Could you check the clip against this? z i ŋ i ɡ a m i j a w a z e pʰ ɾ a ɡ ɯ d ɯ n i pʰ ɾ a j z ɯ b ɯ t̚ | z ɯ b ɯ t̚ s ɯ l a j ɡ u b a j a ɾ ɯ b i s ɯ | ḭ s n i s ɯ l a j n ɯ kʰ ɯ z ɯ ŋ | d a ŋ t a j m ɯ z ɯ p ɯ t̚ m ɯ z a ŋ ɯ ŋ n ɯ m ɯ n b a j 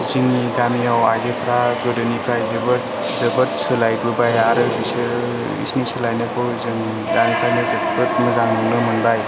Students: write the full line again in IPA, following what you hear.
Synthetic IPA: z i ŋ i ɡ a m i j a w a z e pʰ ɾ a ɡ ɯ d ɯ n i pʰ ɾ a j z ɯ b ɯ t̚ | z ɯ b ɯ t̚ s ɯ l a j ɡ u b a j a ɾ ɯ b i s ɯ | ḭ s n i s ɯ l a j n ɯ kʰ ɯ z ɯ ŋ | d a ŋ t a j n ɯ z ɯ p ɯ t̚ m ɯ z a ŋ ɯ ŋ n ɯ m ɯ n b a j